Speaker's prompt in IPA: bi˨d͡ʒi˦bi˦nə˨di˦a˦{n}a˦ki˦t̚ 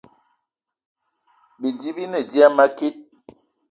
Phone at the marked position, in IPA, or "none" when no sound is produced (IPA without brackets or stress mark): m